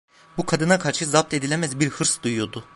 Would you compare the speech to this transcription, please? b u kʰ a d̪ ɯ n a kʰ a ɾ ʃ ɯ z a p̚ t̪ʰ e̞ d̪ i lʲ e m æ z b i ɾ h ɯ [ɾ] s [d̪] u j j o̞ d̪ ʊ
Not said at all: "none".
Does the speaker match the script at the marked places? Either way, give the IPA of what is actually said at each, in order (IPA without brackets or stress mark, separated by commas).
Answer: ɾ, d̪